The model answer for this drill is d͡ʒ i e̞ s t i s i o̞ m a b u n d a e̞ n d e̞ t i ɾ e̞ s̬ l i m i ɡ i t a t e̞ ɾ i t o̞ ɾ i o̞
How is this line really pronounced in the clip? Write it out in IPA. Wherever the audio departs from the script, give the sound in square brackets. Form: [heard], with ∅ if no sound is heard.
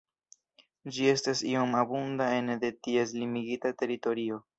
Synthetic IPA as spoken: d͡ʒ i e̞ s t [a] s i o̞ m a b u n d a e̞ n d e̞ t i [∅] e̞ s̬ l i m i ɡ i t a t e̞ ɾ i t o̞ ɾ i o̞